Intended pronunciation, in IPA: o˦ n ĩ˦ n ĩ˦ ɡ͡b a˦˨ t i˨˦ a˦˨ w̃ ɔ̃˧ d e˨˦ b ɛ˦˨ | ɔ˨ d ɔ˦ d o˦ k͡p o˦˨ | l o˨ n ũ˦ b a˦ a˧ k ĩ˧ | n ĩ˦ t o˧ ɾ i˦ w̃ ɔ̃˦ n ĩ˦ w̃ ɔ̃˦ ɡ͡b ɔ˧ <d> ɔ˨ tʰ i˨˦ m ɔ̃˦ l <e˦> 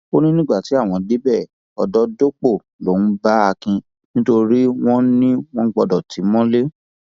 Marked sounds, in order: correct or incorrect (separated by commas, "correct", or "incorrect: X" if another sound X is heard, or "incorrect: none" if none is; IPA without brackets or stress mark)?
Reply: correct, correct